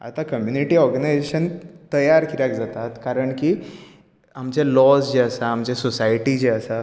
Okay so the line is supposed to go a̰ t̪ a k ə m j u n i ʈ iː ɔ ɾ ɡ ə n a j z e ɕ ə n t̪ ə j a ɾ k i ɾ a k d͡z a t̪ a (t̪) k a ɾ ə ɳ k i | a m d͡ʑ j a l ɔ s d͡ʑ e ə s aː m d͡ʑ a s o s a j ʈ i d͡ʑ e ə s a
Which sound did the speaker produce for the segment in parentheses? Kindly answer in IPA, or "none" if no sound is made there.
t̪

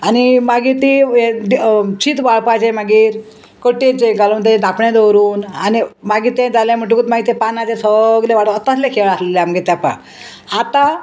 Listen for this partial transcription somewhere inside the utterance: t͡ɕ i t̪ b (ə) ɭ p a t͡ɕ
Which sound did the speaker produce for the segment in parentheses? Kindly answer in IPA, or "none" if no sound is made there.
a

